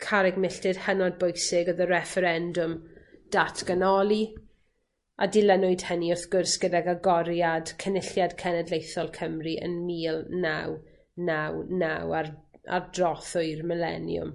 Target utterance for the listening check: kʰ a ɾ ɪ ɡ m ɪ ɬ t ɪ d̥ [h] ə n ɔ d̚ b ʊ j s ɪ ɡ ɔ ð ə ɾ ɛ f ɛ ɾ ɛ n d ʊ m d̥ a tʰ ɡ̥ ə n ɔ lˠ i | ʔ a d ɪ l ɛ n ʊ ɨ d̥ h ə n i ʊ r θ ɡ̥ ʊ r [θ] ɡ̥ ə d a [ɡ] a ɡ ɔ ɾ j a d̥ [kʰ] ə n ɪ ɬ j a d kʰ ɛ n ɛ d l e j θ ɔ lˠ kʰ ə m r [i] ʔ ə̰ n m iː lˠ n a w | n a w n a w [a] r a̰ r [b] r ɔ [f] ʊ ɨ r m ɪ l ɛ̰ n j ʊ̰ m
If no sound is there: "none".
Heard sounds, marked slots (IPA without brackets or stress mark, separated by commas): h, s, ɡ, kʰ, i, a, d, θ